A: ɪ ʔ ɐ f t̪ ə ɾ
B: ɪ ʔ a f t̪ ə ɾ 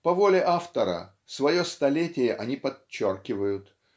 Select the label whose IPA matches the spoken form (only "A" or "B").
B